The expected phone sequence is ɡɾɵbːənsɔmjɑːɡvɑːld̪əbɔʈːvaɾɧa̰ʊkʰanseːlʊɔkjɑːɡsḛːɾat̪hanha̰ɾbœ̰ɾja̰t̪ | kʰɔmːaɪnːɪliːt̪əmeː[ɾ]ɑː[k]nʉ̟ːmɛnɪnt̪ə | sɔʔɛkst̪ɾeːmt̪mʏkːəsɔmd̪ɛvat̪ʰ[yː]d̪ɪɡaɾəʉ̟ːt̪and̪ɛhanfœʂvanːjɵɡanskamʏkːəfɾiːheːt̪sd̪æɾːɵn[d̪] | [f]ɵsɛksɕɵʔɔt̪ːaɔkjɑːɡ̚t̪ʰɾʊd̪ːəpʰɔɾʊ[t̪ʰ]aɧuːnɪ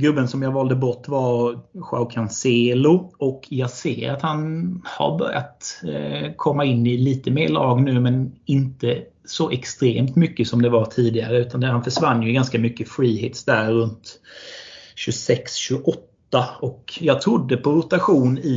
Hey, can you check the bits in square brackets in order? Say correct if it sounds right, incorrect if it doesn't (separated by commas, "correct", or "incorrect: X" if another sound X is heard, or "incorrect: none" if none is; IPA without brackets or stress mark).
incorrect: ɭ, incorrect: ɡ, incorrect: iː, incorrect: t̪, incorrect: ɕ, incorrect: t̪